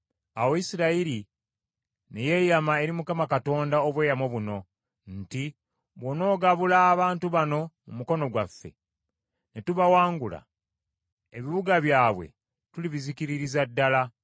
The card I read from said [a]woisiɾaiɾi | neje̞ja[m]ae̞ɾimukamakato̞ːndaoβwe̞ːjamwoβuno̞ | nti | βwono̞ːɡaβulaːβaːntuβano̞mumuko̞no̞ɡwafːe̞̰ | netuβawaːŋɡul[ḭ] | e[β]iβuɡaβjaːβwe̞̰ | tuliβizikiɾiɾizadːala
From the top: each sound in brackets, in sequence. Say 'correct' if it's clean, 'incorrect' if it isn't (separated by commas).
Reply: correct, correct, incorrect, correct